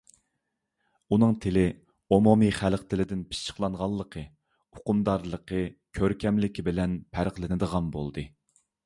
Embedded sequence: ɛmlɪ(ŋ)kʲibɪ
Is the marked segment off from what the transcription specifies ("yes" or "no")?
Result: yes